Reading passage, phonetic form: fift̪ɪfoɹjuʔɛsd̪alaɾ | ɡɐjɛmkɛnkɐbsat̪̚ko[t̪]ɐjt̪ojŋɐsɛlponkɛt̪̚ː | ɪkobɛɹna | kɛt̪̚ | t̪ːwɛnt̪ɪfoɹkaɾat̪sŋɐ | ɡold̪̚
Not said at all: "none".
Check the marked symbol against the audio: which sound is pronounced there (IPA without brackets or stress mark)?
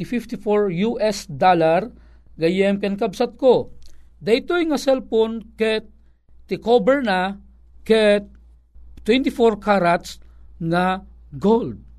d̪